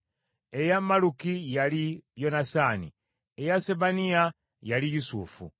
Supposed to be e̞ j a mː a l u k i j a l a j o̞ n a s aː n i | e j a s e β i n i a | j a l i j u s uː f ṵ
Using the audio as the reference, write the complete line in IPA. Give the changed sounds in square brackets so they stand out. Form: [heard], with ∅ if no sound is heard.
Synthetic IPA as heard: e̞ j a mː a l u k i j a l [i] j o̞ n a s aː n i | e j a s e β [a] n i a | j a l i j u s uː f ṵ